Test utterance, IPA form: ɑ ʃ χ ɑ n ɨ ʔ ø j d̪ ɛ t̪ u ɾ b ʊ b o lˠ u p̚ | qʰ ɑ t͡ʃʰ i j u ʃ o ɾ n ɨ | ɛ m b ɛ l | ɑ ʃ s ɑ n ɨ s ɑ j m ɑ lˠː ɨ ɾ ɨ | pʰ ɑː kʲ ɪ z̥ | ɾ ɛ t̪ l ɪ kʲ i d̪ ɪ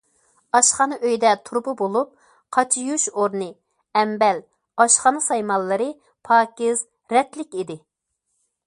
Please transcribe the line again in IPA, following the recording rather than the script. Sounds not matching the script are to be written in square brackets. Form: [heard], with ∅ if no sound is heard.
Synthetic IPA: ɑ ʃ χ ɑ n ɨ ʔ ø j d̪ ɛ [t̪ʰ] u ɾ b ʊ b o lˠ u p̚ | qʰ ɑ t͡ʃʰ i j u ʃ o ɾ n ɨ | ɛ m b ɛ l | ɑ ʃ [χ] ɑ n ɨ s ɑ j m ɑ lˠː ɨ ɾ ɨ | pʰ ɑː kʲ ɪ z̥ | ɾ ɛ t̪ l ɪ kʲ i d̪ ɪ